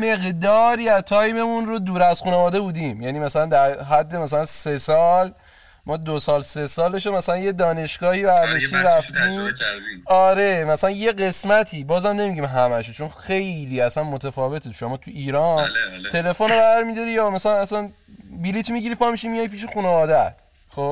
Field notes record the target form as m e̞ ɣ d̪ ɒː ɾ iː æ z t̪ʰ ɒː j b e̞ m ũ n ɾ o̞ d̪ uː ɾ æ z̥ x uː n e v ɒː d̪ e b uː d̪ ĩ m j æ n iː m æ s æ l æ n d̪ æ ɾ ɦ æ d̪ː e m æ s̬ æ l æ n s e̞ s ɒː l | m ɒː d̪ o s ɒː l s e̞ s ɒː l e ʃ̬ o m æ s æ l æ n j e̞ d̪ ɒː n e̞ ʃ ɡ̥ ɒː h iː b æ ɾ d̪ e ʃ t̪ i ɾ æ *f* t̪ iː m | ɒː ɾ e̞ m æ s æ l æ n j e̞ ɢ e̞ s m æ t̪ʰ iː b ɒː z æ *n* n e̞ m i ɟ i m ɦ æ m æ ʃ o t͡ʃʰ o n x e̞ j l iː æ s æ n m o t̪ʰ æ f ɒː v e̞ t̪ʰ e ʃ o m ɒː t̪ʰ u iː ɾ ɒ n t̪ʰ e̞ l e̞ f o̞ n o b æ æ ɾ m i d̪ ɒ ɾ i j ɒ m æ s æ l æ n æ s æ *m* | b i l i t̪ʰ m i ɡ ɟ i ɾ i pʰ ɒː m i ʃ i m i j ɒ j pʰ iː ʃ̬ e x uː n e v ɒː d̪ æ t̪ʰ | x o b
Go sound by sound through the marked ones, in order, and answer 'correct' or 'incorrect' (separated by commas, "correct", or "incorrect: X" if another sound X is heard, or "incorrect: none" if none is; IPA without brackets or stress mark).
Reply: correct, incorrect: m, incorrect: n